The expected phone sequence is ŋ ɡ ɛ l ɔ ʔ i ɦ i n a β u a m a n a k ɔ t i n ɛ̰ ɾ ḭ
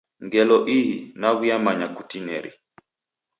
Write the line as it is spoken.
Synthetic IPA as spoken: ŋ ɡ ɛ l ɔ ʔ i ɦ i n a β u a m a ɲ a k u t i n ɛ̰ ɾ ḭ